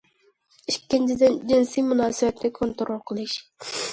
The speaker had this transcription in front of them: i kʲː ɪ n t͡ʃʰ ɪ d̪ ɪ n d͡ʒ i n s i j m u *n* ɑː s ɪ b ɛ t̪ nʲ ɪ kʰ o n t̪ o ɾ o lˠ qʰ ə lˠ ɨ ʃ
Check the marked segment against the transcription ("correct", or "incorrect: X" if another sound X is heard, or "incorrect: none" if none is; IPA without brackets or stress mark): correct